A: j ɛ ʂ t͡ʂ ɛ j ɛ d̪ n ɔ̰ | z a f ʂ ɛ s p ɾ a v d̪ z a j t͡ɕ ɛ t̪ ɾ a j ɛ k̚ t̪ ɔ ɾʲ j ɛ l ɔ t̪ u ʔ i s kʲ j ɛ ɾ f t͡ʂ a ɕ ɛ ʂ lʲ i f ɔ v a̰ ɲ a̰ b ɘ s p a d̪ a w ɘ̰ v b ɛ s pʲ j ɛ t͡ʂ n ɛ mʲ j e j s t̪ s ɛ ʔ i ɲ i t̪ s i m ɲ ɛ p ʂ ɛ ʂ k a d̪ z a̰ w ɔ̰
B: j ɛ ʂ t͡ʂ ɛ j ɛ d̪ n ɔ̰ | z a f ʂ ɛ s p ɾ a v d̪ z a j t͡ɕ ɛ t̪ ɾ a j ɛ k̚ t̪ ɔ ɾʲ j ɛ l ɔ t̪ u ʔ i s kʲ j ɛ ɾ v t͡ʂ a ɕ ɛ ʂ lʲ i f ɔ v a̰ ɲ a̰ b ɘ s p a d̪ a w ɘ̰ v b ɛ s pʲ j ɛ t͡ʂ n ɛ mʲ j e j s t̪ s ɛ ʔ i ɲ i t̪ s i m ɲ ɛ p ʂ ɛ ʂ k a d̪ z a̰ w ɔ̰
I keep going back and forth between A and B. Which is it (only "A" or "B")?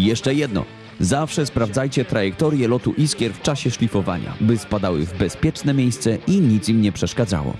A